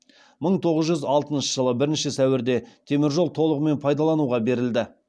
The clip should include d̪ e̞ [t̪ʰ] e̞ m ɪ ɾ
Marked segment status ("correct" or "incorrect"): correct